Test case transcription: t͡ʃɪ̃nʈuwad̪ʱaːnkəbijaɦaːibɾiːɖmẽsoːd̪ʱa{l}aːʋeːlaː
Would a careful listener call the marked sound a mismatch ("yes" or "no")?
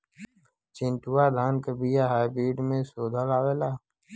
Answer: no